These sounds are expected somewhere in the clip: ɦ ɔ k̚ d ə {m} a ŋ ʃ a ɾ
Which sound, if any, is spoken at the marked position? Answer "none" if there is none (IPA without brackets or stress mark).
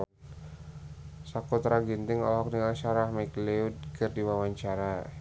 ŋ